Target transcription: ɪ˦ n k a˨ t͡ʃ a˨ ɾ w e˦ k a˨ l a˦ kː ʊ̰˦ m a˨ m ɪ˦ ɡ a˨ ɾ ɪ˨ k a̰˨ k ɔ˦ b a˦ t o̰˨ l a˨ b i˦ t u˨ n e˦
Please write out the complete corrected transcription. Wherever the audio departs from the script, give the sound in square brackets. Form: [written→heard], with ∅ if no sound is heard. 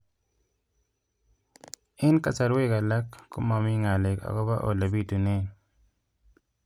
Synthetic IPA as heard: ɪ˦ n k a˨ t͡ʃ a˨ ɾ w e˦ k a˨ l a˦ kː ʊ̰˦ m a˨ m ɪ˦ [ɡ→ŋ] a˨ [ɾ→l] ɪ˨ k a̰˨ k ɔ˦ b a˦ [t→ʔ] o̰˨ l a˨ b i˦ t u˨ n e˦